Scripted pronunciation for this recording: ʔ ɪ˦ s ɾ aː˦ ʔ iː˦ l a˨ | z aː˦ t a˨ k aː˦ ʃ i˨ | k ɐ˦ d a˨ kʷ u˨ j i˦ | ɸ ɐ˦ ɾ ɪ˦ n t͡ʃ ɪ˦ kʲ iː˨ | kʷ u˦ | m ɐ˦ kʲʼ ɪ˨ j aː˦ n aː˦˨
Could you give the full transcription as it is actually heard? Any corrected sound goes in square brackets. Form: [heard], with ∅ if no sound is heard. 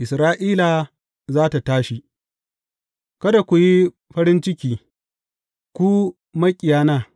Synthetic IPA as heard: ʔ [ɪ˨] s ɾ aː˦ ʔ iː˦ l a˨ | z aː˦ t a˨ [t] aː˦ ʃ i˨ | k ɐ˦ d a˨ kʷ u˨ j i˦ | ɸ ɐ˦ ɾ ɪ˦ n t͡ʃ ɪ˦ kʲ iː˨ | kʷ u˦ | m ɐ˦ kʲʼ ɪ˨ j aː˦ n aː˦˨